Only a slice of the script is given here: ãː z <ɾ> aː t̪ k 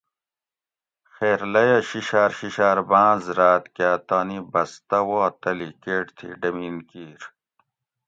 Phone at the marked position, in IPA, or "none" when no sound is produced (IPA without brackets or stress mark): ɾ